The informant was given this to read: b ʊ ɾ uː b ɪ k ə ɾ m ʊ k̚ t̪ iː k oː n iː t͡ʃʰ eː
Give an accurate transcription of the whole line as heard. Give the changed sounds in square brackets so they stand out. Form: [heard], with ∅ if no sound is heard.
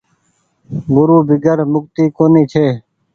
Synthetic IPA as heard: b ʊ ɾ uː b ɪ [ɡ] ə ɾ m ʊ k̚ t̪ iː k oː n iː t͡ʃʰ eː

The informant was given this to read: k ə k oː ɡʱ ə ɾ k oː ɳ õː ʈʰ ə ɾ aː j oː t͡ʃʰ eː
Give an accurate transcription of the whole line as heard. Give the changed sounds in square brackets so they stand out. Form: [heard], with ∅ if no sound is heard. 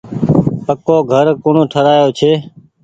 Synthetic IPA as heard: [p] ə k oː ɡʱ ə ɾ k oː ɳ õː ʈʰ ə ɾ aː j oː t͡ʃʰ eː

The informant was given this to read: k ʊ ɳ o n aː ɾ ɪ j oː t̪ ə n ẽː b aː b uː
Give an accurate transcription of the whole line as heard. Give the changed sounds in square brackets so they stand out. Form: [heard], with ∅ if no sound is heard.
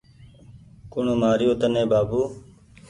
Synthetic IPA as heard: k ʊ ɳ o [m] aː ɾ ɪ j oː t̪ ə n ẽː b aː b uː

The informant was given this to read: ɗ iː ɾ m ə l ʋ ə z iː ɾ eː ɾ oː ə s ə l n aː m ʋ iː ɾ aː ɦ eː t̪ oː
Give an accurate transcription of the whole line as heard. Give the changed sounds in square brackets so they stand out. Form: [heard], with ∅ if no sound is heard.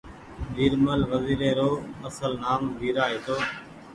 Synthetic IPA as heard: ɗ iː ɾ m ə l ʋ ə z iː ɾ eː ɾ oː ə s ə l n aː m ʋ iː ɾ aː ɦ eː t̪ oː

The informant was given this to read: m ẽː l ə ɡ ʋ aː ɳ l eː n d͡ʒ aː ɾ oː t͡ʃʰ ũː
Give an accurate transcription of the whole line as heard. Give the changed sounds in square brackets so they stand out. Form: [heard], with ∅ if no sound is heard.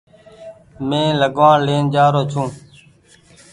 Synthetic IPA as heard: m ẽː l ə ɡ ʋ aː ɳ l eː n d͡ʒ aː ɾ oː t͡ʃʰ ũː

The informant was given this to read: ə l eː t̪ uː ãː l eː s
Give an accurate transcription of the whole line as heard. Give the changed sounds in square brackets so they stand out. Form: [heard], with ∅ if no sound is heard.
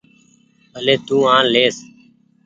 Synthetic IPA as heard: ə l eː t̪ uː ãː l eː s

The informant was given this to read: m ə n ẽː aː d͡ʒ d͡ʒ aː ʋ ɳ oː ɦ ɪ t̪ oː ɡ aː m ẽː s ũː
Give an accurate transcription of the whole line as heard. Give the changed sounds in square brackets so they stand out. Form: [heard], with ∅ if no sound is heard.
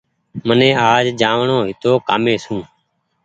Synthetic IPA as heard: m ə n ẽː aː d͡ʒ d͡ʒ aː ʋ ɳ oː ɦ ɪ t̪ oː [k] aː m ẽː s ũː

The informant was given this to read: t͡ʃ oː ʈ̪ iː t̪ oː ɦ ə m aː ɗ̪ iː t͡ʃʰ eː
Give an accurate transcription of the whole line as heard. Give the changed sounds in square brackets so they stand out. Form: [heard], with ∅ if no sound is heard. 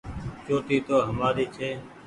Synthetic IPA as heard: t͡ʃ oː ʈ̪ iː t̪ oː ɦ ə m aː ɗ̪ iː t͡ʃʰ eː

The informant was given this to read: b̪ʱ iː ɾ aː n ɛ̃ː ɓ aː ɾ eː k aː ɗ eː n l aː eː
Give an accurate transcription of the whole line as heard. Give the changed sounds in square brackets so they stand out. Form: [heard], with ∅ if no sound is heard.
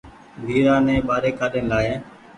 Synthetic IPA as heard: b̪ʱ iː ɾ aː n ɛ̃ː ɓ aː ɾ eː k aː ɗ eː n l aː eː

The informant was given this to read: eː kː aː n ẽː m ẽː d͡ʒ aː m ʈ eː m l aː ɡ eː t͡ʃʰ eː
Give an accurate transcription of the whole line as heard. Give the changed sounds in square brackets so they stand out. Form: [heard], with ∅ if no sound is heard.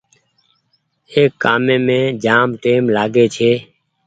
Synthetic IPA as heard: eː kː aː [m] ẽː m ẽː d͡ʒ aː m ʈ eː m l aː ɡ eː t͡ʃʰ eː

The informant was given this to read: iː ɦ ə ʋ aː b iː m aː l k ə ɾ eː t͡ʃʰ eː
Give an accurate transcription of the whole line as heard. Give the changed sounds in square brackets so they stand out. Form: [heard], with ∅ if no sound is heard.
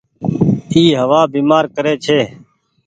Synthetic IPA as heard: iː ɦ ə ʋ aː b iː m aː [ɾ] k ə ɾ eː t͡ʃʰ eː

